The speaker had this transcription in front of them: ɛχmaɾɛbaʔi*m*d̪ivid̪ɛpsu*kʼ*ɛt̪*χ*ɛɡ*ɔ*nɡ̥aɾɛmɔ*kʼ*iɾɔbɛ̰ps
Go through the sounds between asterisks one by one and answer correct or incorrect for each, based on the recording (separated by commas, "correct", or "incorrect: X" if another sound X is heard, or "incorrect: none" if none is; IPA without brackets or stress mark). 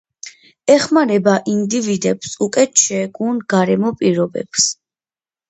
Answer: incorrect: n, correct, incorrect: ʃ, incorrect: u, incorrect: pʼ